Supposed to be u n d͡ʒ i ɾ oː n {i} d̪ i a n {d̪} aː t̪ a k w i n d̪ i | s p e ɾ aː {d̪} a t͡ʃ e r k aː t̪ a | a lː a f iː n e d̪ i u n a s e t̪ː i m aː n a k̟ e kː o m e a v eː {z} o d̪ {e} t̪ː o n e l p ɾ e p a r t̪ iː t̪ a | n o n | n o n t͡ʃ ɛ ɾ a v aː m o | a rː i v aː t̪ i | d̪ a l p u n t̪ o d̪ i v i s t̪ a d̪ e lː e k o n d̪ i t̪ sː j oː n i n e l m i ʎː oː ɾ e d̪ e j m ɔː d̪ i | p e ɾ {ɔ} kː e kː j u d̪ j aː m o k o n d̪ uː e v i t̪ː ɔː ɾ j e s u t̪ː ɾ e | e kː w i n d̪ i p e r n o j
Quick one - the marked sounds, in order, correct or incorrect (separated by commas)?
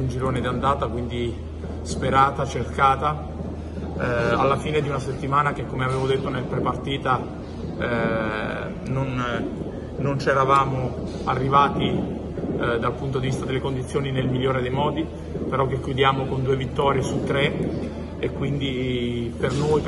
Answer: incorrect, correct, incorrect, incorrect, correct, correct